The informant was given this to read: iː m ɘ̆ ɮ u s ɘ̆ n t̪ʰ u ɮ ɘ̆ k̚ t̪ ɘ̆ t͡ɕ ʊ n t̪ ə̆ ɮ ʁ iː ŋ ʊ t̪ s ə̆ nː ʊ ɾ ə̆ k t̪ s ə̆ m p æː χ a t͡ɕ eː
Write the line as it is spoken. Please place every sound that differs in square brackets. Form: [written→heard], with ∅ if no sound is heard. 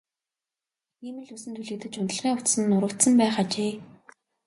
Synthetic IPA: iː m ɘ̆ ɮ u s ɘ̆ n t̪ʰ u ɮ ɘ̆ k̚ t̪ ɘ̆ t͡ɕ ʊ n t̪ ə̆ ɮ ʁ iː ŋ ʊ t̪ s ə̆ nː ʊ ɾ ə̆ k t̪ s ə̆ m p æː χ a t͡ɕ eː